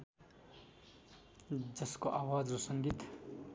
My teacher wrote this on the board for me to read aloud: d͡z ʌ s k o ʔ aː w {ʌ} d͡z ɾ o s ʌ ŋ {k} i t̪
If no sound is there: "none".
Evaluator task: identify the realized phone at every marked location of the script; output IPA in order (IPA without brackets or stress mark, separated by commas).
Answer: a, ɡ